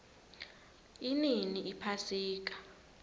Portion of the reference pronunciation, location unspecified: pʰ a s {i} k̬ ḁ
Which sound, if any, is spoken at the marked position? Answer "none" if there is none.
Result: iː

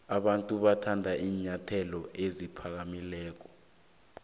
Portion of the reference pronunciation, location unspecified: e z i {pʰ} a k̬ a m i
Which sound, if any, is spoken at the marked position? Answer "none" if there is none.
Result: pʰ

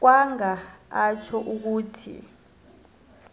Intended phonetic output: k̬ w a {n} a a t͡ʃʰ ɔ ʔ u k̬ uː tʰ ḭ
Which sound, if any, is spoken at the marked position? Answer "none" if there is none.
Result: ŋ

